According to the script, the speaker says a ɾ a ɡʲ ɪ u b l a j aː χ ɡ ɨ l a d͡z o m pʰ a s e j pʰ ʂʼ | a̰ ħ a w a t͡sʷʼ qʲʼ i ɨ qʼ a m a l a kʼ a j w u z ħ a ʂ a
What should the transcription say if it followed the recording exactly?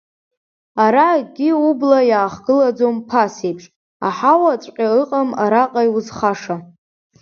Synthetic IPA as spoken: a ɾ a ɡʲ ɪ u b l a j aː χ ɡ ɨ l a d͡z o m pʰ a s e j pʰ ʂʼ | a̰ ħ a w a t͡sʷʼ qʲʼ a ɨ qʼ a m a ɾ a qʼ a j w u z χ a ʂ a